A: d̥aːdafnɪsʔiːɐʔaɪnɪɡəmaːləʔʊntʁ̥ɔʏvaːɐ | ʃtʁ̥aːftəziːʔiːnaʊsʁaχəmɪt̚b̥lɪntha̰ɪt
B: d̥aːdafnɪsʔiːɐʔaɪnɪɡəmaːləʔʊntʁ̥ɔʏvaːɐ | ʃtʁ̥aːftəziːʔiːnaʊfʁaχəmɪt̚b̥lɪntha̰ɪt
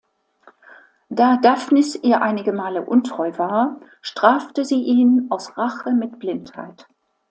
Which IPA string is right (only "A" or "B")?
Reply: A